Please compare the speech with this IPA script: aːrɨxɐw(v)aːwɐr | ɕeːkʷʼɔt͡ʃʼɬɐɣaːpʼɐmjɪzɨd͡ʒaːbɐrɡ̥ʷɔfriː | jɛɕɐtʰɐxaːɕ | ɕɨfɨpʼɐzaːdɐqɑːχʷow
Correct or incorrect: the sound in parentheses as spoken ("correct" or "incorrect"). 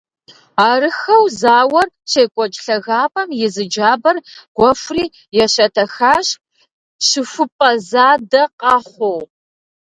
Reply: incorrect